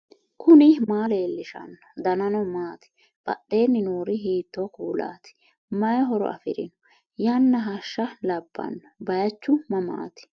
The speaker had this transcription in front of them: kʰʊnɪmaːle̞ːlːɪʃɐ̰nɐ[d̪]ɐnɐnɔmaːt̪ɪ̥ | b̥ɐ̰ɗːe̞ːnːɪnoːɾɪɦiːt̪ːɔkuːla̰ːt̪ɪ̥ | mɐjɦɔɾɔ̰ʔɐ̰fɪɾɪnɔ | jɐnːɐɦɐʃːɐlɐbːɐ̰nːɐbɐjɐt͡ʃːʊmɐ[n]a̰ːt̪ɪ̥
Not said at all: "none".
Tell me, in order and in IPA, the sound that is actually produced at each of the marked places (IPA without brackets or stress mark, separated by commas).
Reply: d̪, m